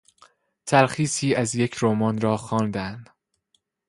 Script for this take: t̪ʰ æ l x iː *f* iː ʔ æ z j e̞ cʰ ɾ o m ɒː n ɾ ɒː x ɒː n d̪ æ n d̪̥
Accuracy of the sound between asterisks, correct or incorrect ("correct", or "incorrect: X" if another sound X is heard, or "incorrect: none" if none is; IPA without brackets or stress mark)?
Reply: incorrect: s